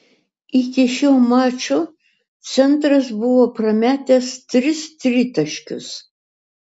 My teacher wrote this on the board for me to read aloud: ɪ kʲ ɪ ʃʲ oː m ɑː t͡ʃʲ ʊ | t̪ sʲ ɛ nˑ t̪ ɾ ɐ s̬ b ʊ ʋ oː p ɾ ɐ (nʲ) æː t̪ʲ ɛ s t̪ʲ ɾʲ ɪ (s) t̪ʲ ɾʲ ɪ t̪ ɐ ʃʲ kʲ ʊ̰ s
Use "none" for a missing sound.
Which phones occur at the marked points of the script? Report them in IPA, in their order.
mʲ, s

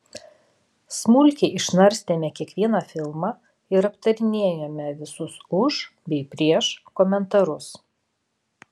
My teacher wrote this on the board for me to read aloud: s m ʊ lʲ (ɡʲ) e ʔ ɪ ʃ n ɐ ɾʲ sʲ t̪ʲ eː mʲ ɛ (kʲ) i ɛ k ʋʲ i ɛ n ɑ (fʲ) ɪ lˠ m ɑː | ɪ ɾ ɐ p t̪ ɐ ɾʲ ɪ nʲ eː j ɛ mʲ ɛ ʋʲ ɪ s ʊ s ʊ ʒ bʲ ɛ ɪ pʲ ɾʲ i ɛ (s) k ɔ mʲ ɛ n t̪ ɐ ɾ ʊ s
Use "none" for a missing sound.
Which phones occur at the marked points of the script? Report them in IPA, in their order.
kʲ, kʲ, fʲ, ʃ

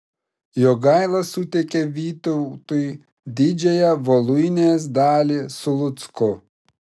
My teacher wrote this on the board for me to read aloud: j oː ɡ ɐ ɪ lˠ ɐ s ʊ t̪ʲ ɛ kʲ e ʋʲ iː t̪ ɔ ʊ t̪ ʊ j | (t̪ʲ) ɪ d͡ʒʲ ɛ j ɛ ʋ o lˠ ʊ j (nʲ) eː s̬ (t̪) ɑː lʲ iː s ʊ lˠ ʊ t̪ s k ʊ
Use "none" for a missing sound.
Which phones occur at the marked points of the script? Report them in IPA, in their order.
d̪ʲ, nʲ, d̪

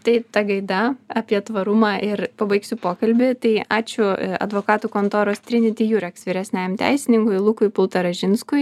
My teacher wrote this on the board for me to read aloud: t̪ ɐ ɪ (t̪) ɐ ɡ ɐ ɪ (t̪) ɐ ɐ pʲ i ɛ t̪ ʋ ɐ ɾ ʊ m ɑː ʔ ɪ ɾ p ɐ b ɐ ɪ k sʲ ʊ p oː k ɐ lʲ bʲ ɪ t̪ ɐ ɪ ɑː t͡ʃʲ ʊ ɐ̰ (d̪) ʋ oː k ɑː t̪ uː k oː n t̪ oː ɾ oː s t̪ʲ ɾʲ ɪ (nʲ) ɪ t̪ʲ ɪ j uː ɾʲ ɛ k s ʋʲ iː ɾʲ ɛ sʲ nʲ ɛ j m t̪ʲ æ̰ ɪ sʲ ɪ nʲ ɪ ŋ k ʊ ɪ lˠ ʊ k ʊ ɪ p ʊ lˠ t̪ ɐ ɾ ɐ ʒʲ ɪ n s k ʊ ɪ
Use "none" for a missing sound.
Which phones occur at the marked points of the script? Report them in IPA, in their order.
t̪, d̪, d̪, nʲ

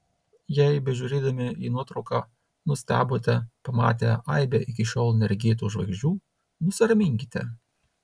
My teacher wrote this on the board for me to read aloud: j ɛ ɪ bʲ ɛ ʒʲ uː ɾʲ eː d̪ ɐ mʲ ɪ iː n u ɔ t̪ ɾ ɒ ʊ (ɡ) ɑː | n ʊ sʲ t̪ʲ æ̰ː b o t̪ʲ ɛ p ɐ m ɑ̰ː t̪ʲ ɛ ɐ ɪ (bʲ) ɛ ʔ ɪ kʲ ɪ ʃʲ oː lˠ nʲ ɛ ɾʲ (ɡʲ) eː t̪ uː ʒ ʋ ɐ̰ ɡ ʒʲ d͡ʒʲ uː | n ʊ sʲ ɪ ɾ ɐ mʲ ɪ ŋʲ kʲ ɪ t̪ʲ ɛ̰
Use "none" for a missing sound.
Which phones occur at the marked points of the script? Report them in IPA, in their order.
k, bʲ, ɡʲ

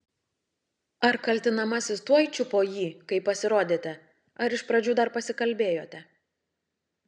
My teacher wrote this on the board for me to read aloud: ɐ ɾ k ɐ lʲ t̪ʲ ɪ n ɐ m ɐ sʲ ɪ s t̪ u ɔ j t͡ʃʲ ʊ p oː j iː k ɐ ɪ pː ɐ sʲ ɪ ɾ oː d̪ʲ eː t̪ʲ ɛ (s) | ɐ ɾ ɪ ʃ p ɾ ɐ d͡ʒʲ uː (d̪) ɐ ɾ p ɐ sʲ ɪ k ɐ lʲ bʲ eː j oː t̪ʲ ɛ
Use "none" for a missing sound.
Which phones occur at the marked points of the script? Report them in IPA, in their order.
none, d̪

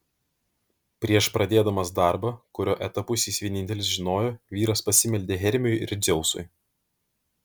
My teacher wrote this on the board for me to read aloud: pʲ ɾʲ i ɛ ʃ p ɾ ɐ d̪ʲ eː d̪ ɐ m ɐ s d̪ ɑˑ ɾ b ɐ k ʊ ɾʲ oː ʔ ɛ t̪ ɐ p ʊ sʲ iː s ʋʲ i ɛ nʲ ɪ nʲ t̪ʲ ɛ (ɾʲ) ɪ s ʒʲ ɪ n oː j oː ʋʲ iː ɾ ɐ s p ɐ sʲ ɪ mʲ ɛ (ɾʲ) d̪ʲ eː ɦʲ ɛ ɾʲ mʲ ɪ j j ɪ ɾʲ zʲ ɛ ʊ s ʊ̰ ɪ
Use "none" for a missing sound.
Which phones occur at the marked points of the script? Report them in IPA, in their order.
lʲ, lʲ

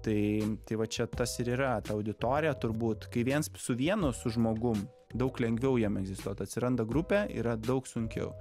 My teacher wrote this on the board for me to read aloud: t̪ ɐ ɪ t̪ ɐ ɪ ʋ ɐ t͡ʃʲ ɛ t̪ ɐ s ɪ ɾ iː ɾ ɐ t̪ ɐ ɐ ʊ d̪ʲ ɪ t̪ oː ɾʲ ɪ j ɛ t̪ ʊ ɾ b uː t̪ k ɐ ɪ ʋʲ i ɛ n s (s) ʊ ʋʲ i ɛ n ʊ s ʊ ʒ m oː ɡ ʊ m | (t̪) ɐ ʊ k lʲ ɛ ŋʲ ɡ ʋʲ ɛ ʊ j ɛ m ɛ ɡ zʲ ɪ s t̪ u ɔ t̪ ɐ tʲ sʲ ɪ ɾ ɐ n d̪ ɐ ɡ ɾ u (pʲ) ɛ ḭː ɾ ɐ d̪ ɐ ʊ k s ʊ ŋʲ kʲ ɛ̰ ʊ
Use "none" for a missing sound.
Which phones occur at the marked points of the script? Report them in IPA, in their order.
s, d̪, pʲ

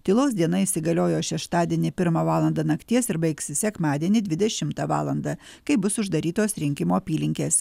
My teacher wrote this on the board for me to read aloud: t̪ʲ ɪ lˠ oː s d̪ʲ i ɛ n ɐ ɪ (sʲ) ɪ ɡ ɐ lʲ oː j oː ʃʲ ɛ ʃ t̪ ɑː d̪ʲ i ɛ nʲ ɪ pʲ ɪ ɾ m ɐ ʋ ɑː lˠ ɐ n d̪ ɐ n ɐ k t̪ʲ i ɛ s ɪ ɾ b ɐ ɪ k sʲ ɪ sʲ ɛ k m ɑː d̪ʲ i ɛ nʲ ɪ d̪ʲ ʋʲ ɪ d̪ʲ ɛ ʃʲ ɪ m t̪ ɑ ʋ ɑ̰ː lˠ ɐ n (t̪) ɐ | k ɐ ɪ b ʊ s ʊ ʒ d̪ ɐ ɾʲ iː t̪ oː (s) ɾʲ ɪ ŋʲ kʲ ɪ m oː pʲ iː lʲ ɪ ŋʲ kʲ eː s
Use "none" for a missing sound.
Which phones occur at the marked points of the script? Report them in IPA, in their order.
sʲ, d̪, s

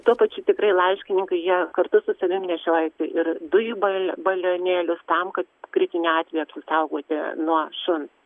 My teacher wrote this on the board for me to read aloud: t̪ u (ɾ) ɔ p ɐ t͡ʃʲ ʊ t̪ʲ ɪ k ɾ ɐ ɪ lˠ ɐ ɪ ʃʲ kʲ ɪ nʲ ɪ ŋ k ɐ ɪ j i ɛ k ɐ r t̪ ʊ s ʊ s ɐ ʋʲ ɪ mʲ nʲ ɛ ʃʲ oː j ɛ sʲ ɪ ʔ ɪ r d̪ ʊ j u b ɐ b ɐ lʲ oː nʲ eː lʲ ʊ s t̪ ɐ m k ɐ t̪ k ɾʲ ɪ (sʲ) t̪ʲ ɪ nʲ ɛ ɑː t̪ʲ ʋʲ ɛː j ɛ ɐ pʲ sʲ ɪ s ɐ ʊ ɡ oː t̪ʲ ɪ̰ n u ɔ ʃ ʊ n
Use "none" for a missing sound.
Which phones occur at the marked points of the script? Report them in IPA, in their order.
none, none

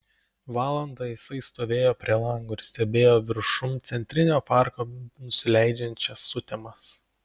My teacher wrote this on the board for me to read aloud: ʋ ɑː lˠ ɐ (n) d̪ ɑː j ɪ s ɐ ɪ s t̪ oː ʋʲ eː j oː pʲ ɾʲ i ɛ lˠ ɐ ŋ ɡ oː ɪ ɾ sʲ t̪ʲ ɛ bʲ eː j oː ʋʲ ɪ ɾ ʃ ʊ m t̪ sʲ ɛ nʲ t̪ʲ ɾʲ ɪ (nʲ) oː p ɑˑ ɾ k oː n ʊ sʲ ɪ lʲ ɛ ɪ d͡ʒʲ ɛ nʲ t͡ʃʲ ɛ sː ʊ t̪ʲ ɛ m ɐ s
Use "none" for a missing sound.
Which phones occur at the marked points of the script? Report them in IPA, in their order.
n, nʲ

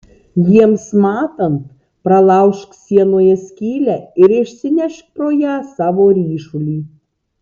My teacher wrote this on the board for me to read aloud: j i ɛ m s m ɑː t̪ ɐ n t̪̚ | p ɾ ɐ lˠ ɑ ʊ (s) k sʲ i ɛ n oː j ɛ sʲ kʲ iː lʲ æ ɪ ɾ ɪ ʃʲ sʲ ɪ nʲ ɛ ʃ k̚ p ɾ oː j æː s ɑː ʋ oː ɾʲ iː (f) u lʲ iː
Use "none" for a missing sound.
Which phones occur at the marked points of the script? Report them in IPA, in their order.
ʃ, ʃ

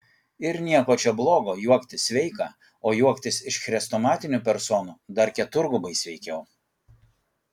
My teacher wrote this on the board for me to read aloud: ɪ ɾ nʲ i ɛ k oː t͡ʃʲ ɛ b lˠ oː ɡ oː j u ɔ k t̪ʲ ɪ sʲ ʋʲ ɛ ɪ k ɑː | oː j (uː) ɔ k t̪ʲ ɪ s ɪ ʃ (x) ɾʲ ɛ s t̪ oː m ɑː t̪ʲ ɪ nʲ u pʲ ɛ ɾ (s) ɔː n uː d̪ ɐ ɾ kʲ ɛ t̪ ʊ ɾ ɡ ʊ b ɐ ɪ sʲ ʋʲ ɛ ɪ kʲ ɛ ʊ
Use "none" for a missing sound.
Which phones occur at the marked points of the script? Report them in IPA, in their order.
u, x, s

